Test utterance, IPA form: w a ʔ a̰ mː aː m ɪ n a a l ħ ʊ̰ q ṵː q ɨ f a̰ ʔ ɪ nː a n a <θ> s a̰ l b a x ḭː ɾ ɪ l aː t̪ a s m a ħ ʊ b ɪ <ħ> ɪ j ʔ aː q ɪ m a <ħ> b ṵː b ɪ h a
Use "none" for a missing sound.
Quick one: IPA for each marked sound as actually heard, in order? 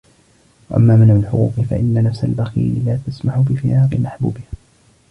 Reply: f, f, ħ

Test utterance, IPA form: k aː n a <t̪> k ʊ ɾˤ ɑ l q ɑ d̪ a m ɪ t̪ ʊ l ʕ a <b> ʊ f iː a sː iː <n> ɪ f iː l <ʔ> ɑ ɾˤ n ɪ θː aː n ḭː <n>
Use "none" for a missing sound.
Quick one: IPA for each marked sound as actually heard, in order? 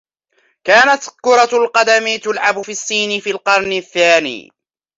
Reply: t̪, b, n, q, none

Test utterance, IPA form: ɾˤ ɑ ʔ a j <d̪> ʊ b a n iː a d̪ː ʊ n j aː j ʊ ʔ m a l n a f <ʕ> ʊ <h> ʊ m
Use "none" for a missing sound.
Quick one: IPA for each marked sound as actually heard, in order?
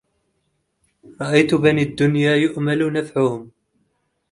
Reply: t̪, ʕ, h

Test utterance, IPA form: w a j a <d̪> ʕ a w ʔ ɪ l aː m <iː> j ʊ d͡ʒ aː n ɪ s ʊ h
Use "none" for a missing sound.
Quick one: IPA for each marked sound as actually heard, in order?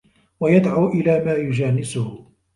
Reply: d̪, aː

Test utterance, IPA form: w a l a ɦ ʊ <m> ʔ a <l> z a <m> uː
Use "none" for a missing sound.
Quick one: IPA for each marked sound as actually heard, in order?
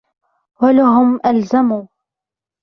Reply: m, l, m

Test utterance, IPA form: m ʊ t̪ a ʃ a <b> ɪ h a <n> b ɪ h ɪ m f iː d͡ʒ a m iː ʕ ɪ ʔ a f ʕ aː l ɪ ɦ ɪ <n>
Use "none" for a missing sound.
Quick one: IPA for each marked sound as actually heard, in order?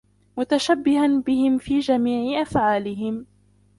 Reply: bː, n, m

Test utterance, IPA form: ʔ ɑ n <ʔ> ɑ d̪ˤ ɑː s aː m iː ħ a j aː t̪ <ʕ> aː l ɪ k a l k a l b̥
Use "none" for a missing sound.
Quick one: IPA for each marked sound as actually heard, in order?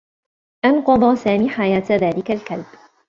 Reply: q, ð

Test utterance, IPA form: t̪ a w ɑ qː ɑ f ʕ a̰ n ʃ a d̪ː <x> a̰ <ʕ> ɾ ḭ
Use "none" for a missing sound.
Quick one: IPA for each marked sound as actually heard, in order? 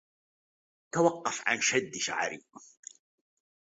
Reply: ʃ, ʕ

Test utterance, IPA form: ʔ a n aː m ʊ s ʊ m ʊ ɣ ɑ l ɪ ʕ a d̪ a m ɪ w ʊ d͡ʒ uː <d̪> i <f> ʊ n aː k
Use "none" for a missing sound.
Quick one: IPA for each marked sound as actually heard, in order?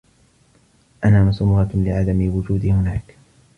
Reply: d̪, h

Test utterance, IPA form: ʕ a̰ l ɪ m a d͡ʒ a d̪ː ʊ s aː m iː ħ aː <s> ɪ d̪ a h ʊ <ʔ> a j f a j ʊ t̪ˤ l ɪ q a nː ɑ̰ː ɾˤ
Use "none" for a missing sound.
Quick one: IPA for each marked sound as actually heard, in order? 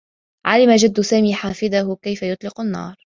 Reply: f, k

